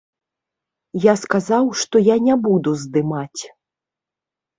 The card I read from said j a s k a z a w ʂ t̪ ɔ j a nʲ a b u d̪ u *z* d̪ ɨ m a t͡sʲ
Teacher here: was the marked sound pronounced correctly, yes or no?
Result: yes